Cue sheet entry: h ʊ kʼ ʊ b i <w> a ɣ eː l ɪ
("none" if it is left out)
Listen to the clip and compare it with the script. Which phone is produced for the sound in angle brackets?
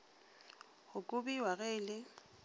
w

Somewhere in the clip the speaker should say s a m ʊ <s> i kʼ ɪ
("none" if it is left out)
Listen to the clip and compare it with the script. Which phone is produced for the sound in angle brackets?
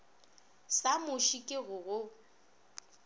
ʃ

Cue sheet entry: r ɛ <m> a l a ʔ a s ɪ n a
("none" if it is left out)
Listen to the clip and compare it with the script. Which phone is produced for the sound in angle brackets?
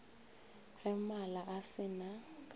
m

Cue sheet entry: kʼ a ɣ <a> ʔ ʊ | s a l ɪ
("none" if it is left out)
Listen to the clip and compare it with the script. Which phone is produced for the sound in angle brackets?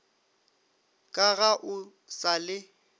a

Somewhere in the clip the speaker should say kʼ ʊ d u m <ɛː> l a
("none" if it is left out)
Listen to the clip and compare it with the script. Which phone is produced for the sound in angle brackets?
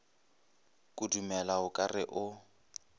ɛ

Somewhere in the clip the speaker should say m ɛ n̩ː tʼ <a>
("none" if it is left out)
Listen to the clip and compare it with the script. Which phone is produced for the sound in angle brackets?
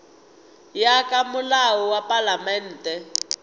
ɛ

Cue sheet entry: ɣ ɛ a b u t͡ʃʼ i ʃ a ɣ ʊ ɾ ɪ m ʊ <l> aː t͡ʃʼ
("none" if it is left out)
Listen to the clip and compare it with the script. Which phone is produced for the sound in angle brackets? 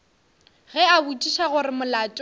l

